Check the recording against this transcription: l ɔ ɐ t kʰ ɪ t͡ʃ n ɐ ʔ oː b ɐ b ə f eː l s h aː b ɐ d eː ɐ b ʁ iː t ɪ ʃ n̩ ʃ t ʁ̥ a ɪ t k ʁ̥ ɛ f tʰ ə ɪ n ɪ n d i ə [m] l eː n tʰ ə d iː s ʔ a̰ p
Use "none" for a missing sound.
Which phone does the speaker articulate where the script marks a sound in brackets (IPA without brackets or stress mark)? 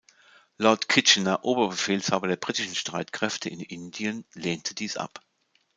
n